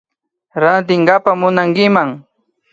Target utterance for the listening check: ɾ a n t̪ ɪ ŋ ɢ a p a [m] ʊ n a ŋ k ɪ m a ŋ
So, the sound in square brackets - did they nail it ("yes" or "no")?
yes